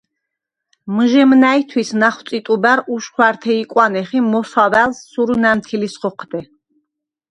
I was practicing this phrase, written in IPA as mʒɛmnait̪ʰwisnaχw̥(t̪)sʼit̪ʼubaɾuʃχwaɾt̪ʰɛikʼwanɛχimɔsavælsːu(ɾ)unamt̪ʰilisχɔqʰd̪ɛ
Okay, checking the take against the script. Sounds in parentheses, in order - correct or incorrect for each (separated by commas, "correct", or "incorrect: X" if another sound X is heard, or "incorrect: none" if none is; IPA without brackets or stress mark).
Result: correct, correct